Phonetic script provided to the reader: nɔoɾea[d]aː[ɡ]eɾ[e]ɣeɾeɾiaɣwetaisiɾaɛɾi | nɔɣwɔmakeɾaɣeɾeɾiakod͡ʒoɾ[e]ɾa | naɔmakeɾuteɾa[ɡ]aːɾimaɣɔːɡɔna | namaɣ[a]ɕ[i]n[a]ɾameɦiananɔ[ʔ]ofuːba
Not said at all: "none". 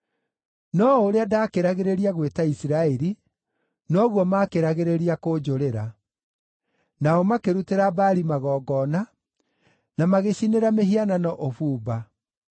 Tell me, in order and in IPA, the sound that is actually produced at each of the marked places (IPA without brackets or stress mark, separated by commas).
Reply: d, k, a, e, b, e, i, e, ʔ